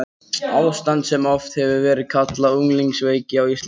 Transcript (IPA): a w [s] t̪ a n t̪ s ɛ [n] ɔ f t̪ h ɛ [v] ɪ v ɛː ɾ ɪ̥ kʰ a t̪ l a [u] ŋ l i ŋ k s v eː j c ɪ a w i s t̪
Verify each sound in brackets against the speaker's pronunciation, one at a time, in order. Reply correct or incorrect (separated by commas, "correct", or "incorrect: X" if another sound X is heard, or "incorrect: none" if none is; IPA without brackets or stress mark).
correct, incorrect: m, correct, correct